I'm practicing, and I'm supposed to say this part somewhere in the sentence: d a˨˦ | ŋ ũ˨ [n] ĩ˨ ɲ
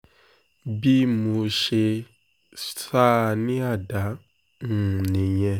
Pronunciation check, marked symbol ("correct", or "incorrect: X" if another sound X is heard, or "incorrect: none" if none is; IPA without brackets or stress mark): correct